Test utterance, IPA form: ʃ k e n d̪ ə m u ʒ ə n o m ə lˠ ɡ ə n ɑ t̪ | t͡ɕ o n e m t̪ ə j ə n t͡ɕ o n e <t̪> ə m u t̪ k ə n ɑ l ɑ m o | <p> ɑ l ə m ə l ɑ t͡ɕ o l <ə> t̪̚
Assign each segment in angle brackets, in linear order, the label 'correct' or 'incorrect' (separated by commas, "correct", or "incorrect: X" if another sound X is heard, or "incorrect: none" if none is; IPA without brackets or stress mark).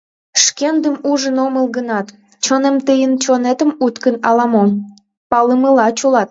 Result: correct, correct, incorrect: ɑ